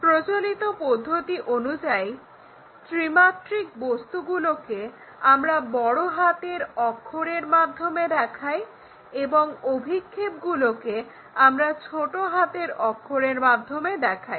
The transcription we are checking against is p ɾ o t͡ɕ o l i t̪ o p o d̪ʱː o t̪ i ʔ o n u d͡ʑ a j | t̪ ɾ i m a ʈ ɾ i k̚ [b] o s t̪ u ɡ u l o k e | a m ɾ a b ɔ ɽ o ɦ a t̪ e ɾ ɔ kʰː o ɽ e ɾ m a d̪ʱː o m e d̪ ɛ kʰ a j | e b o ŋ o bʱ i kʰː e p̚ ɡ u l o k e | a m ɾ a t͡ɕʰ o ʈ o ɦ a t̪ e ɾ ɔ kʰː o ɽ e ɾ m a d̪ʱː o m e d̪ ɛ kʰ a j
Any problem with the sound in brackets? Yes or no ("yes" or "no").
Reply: no